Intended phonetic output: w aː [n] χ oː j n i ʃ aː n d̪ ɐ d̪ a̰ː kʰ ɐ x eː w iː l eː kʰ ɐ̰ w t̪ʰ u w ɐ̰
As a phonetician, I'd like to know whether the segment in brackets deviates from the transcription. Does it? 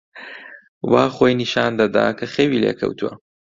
yes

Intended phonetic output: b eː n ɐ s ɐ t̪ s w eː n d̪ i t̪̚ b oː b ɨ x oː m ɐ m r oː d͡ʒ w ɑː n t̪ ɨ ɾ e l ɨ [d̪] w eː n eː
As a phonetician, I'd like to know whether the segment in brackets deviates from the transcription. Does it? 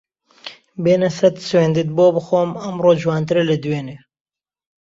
no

